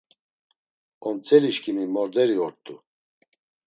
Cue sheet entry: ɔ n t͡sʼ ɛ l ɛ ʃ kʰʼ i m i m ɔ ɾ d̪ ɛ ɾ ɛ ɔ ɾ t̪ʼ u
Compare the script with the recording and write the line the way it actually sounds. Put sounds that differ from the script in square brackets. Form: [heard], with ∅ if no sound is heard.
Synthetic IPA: ɔ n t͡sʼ ɛ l [i] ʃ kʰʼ i m i m ɔ ɾ d̪ ɛ ɾ [i] ɔ ɾ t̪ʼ u